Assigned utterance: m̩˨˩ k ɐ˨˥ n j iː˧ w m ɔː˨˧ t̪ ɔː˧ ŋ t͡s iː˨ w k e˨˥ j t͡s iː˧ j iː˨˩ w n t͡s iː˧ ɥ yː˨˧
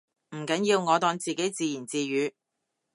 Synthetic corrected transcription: m̩˨˩ k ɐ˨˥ n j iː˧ w ŋ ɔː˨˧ t̪ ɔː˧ ŋ t͡s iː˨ k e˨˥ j t͡s iː˧ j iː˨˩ n t͡s iː˧ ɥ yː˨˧

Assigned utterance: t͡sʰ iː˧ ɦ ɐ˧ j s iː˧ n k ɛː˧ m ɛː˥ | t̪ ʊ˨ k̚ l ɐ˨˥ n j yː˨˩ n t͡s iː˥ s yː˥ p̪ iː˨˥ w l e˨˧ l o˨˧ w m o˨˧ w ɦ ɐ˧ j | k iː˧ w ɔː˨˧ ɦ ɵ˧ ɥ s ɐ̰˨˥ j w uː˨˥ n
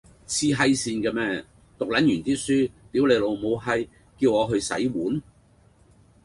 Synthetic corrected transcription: t͡sʰ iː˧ ɦ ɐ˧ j s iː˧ n k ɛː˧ m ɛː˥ | t̪ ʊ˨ k̚ l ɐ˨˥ n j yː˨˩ n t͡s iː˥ s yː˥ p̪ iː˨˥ w l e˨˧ l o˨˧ w m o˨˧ w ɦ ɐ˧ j | k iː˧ w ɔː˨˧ ɦ ɵ˧ ɥ s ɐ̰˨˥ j w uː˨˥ n

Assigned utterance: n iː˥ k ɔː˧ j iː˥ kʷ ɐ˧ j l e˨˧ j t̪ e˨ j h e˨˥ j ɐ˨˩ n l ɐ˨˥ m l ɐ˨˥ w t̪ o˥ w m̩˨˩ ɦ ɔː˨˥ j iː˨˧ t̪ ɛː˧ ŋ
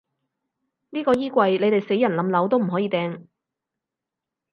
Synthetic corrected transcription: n iː˥ k ɔː˧ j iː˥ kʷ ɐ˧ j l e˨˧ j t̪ e˨ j s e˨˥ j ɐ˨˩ n l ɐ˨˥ m l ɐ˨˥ w t̪ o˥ w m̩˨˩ ɦ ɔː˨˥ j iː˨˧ t̪ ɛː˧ ŋ

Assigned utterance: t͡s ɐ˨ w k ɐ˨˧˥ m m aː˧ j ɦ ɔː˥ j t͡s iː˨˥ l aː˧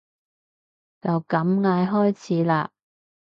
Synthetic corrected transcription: t͡s ɐ˨ w k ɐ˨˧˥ m ŋ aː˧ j ɦ ɔː˥ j t͡sʰ iː˨˥ l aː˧

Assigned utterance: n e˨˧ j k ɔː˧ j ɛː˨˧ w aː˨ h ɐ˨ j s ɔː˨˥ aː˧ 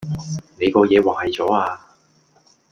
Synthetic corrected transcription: n e˨˧ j k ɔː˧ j ɛː˨˧ w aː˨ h ɐ˨ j t͡s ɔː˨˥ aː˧

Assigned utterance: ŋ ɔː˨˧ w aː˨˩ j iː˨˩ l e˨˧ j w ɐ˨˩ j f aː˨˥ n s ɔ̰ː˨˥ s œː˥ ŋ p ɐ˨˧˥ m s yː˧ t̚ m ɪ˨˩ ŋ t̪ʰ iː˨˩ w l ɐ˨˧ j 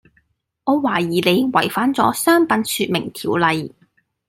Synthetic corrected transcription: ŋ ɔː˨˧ w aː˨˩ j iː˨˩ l e˨˧ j w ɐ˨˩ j f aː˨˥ n t͡s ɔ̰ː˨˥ s œː˥ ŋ p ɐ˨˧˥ n s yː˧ t̚ m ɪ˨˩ ŋ t̪ʰ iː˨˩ w l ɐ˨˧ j

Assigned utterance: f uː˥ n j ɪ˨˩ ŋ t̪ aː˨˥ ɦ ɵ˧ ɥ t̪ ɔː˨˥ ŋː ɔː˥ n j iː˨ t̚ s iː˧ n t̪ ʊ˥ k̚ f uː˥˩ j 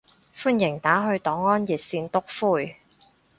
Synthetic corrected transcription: f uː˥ n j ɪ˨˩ ŋ t̪ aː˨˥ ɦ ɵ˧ ɥ t̪ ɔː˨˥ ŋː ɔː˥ n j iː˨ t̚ s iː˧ n t̪ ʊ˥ k̚ f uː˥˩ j

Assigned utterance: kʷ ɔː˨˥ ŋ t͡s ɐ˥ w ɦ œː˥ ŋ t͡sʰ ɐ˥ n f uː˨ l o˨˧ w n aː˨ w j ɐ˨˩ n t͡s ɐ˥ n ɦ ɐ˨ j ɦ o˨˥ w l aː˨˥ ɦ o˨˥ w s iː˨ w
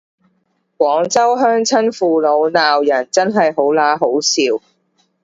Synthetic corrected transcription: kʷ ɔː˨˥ ŋ t͡s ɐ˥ w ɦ œː˥ ŋ t͡sʰ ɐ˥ n f uː˨ l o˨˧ w n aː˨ w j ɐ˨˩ n t͡s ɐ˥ n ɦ ɐ˨ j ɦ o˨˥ w l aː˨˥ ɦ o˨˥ w s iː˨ w

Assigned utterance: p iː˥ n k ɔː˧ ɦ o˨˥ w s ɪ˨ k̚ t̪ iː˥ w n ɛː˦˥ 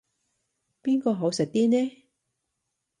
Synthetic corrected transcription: p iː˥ n k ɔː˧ ɦ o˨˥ w s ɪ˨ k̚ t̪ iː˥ n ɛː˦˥

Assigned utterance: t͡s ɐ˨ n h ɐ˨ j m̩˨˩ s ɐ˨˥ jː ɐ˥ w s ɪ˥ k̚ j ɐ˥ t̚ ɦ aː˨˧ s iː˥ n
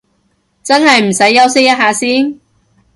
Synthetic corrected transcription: t͡s ɐ˥ n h ɐ˨ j m̩˨˩ s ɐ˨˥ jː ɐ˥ w s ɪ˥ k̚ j ɐ˥ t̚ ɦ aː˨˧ s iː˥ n

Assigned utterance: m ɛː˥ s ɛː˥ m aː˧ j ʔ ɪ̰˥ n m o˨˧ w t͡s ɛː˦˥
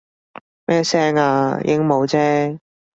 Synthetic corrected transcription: m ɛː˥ s ɛː˥ ŋ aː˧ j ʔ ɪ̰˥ ŋ m o˨˧ w t͡s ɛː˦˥

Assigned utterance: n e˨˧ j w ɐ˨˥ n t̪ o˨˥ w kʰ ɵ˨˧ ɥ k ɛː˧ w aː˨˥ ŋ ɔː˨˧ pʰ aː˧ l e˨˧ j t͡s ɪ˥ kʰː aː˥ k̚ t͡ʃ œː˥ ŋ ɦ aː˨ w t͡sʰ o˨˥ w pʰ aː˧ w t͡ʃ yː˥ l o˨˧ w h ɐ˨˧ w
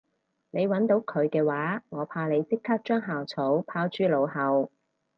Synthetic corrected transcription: n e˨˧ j w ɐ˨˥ n t̪ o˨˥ w kʰ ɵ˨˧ ɥ k ɛː˧ w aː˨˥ ŋ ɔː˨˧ pʰ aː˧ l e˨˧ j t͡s ɪ˥ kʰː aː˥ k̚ t͡ʃ œː˥ ŋ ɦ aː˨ w t͡sʰ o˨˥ w pʰ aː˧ w t͡ʃ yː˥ l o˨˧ w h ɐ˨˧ w

